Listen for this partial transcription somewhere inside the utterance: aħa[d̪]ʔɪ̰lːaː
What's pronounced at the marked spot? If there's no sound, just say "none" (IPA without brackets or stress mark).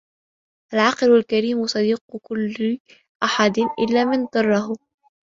d̪